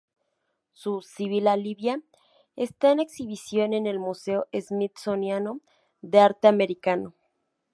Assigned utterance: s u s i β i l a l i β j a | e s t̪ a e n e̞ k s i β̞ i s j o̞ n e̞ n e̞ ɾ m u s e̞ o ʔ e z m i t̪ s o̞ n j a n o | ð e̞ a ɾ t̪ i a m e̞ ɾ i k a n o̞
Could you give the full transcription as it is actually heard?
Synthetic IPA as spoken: s u s i β i l a l i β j a | e s t̪ a e n e̞ k s i β̞ i s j o̞ n e̞ n e̞ l m u s e̞ o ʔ e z m i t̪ s o̞ n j a n o | ð e̞ a ɾ t̪ e a m e̞ ɾ i k a n o̞